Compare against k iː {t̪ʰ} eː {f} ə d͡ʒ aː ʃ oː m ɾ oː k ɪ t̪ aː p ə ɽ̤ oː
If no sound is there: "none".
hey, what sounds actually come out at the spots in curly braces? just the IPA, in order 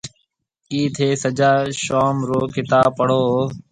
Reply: t̪ʰ, s

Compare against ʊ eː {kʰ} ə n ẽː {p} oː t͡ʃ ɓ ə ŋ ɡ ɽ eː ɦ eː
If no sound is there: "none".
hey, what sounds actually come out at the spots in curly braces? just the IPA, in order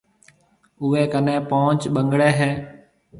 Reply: k, p

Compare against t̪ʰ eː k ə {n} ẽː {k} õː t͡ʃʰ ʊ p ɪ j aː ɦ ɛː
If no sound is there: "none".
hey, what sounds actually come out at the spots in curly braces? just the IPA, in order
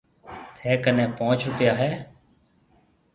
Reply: n, p

